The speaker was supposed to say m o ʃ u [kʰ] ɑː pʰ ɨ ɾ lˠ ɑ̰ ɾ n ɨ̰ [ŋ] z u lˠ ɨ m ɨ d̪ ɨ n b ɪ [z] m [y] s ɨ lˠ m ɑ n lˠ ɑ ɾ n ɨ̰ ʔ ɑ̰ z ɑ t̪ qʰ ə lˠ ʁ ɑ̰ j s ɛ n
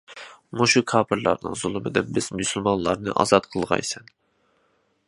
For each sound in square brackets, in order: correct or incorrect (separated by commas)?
correct, correct, correct, correct